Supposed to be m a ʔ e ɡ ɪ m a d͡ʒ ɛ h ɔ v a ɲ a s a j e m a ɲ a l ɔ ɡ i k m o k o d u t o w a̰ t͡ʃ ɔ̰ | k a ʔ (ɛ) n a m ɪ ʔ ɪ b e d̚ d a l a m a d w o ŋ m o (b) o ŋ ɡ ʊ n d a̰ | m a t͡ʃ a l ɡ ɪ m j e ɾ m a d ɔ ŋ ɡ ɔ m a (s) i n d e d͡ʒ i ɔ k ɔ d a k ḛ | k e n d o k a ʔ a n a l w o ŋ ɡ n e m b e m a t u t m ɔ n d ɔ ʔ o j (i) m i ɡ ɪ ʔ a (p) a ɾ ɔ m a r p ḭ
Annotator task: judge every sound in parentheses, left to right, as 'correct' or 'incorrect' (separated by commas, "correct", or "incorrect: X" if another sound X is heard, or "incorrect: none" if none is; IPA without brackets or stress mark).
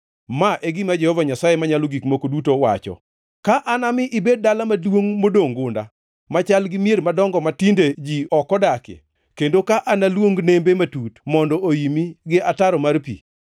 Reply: incorrect: a, incorrect: d, incorrect: t, correct, incorrect: t